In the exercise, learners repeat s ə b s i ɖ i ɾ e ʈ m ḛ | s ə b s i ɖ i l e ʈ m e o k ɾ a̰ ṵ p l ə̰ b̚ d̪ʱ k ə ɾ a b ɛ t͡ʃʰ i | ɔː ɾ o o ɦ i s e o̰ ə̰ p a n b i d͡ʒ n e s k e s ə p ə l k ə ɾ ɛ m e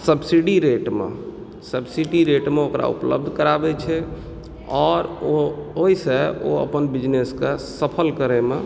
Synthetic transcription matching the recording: s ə b s i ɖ i ɾ e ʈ m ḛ | s ə b s i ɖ i ɾ e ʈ m e o k ɾ a̰ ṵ p l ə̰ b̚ d̪ʱ k ə ɾ a b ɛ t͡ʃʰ ɛ | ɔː ɾ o o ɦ i s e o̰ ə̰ p ə n b i d͡ʒ n e s k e s ə pʰ ə l k ə ɾ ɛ m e